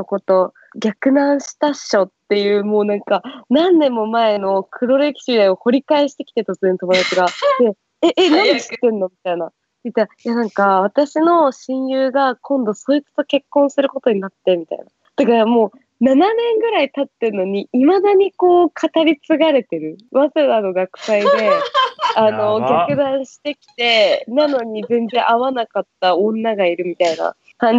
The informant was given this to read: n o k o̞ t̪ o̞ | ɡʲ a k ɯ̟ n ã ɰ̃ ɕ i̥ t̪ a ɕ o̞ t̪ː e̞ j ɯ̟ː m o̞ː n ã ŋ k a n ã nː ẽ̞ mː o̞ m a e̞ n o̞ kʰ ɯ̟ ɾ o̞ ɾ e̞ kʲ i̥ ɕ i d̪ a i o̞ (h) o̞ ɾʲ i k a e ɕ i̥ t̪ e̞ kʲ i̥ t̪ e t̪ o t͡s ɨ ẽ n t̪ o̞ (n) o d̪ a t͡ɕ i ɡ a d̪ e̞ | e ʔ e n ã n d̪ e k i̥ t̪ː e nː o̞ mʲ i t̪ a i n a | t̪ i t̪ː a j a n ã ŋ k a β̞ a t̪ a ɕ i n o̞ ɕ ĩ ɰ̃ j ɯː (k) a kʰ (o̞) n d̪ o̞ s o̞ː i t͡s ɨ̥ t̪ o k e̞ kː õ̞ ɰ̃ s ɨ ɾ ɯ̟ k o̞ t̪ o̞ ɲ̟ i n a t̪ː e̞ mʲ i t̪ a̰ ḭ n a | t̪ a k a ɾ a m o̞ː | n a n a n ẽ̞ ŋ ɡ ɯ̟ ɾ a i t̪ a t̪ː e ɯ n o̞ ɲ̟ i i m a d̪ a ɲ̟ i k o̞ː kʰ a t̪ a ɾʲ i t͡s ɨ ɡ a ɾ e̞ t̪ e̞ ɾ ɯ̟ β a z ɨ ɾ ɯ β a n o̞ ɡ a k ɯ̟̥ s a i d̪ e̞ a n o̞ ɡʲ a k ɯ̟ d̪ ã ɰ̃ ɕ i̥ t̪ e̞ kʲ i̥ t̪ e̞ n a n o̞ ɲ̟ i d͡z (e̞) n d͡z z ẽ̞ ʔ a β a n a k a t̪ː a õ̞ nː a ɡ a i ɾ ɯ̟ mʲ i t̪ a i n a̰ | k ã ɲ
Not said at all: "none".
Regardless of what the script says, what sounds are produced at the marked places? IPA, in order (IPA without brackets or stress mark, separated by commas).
h, m, ɡ, õ̞, ẽ̞